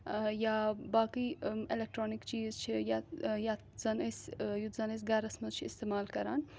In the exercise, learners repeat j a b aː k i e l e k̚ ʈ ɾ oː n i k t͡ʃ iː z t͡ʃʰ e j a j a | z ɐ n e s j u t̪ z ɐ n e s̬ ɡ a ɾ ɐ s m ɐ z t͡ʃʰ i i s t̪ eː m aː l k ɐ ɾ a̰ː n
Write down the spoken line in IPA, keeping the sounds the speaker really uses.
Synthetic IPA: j a b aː k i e l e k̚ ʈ ɾ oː n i k t͡ʃ iː z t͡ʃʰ i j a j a | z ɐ n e s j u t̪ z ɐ n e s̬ ɡ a ɾ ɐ s m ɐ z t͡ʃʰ i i s t̪ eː m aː l k ɐ ɾ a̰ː n